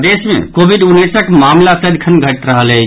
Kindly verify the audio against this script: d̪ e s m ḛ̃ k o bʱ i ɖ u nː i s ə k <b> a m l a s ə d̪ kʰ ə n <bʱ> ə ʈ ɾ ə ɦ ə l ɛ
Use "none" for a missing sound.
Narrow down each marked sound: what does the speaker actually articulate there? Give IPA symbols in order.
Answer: m, ɡʱ

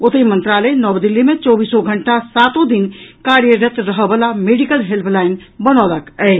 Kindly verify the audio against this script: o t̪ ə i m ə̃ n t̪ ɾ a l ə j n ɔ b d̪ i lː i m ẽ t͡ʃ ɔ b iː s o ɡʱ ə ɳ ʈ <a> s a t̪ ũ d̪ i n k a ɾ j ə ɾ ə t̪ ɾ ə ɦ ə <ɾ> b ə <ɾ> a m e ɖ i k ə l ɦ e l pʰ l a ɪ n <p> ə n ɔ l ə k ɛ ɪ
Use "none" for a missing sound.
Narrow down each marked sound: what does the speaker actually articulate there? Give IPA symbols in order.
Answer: a, none, l, b

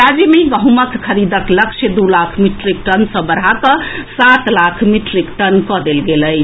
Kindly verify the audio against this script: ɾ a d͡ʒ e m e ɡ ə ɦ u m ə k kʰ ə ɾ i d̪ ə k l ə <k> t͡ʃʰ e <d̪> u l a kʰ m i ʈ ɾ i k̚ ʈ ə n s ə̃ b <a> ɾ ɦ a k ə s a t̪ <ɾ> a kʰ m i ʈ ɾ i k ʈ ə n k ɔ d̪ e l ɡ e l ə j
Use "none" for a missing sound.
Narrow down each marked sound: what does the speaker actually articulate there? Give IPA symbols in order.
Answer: k, d̪, ə, l

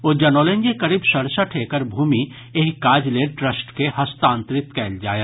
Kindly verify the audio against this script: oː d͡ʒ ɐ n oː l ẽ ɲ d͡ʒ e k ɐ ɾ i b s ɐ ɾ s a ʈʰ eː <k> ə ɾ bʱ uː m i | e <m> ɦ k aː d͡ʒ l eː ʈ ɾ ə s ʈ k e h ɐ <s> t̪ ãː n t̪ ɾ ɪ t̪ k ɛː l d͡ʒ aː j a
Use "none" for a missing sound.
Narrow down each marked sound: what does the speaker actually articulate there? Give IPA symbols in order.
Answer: k, none, s

